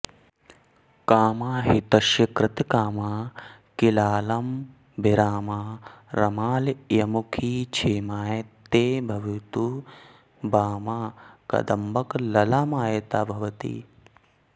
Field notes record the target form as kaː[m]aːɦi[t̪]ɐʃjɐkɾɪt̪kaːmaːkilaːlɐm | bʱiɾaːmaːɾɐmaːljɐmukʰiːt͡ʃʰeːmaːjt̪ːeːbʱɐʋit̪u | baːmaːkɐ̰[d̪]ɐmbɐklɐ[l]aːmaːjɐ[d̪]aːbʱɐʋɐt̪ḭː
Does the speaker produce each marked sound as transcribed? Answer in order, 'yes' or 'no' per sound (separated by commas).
yes, yes, yes, yes, no